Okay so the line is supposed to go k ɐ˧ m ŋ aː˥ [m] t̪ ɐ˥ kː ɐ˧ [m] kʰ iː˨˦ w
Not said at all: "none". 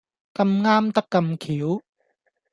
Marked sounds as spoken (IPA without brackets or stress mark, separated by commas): m, m